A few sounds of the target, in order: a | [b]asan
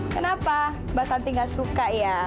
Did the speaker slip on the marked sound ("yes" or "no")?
no